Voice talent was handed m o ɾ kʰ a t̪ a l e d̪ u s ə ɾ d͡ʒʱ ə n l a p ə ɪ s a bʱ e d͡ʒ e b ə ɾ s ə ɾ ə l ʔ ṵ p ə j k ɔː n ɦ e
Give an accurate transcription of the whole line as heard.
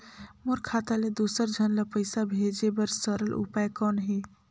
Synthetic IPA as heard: m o ɾ kʰ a t̪ a l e d̪ u s ə ɾ d͡ʒʱ ə n l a p ə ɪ s a bʱ e d͡ʒ e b ə ɾ s ə ɾ ə l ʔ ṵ p a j k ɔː n ɦ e